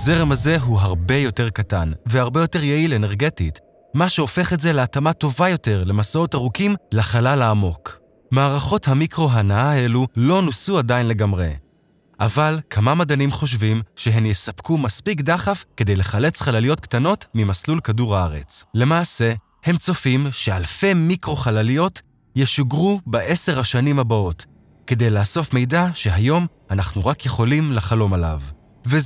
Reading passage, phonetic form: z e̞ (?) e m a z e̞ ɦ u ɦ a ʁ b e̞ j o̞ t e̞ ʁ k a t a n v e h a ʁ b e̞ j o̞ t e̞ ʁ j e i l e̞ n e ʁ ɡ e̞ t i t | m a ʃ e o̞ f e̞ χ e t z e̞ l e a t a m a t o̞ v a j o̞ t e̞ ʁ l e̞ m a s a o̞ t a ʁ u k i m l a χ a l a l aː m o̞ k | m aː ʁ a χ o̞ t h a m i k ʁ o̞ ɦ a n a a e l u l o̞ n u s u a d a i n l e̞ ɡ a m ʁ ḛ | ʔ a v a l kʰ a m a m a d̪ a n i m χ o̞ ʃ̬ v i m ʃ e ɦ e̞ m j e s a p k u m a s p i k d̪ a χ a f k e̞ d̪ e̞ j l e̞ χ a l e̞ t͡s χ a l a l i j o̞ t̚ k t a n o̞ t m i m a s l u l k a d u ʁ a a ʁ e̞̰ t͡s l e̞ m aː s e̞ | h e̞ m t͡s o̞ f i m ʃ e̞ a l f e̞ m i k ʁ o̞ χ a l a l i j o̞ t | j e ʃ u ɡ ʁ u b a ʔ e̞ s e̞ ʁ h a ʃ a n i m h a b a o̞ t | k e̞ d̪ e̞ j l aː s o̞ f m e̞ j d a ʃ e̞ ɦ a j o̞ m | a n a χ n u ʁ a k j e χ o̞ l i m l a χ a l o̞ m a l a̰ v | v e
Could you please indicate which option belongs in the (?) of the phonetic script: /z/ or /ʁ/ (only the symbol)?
ʁ